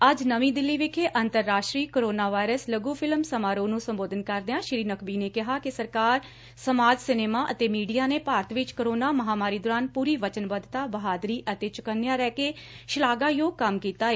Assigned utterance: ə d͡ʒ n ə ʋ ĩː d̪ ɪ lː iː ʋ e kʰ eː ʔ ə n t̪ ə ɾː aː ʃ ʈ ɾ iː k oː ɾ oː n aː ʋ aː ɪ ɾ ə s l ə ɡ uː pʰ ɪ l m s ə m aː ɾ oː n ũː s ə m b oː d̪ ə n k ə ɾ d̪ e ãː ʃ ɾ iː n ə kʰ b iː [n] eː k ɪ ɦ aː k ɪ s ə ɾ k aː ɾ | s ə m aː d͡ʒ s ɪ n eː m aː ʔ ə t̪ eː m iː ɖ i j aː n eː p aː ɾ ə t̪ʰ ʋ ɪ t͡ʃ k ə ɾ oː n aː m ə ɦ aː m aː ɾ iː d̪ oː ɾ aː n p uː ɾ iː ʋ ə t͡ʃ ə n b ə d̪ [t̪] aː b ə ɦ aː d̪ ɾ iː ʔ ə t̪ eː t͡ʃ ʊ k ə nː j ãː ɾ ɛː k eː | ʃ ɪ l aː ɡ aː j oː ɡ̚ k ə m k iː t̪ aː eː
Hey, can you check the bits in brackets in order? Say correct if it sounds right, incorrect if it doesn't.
correct, correct

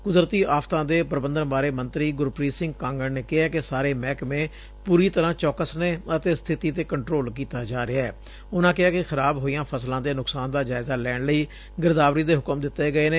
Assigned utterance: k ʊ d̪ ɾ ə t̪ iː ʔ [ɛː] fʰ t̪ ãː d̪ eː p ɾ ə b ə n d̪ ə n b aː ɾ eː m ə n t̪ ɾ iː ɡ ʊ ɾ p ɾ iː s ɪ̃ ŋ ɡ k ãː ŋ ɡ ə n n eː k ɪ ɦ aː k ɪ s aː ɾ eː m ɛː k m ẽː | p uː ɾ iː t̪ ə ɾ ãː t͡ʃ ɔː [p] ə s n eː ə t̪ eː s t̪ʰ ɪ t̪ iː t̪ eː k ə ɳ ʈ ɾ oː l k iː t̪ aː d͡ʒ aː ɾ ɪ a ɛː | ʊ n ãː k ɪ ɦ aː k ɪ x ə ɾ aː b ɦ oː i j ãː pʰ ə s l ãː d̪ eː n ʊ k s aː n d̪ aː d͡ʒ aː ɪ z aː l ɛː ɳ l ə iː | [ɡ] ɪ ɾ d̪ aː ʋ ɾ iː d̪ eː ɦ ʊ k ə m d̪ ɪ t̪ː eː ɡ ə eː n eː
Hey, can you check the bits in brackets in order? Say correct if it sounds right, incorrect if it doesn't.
incorrect: aː, incorrect: k, correct

